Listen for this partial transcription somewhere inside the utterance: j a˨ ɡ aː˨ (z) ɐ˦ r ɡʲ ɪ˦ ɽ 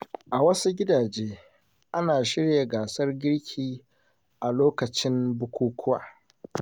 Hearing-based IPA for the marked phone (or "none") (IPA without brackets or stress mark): s